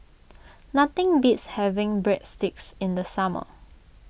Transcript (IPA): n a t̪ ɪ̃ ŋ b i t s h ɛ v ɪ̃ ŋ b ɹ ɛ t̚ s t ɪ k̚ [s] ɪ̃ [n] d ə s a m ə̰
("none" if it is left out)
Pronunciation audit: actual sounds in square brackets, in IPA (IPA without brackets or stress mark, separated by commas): s, n